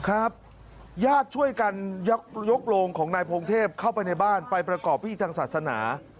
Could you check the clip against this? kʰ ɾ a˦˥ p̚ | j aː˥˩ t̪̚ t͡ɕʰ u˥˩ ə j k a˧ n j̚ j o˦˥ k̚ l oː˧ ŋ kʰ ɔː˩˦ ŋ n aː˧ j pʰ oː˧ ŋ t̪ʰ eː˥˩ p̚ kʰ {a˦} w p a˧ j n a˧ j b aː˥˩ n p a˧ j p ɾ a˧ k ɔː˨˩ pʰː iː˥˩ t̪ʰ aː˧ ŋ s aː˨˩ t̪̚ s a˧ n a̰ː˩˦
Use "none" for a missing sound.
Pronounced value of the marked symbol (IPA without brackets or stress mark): a˥˩